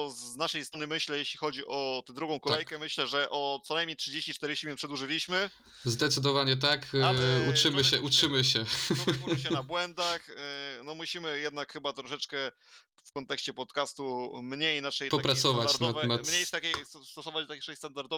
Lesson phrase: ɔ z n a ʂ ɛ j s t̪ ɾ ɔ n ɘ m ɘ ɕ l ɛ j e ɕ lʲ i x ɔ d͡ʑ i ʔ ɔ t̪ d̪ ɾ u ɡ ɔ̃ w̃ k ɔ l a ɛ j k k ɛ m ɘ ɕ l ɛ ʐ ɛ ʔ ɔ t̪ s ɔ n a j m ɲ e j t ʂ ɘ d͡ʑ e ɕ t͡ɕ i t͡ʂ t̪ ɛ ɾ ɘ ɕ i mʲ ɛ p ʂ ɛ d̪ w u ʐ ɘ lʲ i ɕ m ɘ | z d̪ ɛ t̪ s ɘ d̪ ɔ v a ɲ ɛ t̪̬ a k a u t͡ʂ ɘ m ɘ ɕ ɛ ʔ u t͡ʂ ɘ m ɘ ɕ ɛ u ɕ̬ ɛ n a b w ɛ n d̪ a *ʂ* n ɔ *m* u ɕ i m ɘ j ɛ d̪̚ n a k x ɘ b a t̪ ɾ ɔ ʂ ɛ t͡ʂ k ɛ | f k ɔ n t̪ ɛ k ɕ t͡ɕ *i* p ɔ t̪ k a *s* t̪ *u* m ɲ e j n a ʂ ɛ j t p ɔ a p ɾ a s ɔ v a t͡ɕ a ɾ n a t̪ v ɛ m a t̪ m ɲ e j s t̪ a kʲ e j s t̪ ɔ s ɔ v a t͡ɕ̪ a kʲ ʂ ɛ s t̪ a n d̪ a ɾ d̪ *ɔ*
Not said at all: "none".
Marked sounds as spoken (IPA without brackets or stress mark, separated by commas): x, m, ɛ, s, u, ɔ